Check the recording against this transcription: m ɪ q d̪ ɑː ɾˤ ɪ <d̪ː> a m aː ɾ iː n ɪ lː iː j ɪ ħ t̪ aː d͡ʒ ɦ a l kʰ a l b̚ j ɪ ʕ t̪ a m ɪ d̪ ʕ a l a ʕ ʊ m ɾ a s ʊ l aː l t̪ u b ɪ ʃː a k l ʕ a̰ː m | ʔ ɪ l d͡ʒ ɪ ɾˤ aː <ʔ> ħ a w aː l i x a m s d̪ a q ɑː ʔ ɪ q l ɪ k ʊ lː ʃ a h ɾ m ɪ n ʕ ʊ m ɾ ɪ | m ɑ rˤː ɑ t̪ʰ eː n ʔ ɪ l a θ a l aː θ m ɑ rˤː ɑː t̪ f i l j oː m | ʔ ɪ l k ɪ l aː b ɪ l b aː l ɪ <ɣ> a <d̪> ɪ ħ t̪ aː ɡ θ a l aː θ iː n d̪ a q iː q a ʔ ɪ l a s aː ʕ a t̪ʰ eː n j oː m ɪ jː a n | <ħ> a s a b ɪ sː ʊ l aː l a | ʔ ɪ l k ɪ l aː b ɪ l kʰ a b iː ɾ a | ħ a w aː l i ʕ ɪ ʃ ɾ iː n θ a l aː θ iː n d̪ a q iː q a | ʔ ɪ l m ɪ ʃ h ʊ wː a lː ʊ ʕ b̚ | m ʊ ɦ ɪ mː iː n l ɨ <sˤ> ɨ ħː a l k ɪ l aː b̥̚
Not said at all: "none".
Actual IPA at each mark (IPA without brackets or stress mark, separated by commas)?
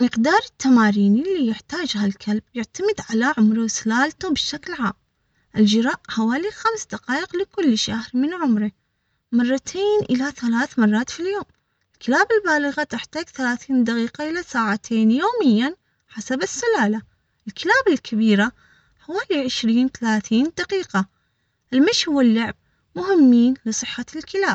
t̪ː, ʔ, ɣ, t̪, ħ, sˤ